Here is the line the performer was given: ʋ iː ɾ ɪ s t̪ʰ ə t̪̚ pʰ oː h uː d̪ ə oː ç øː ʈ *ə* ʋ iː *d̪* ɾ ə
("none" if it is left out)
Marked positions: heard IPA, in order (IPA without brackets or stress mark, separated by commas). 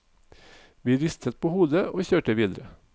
ə, d̪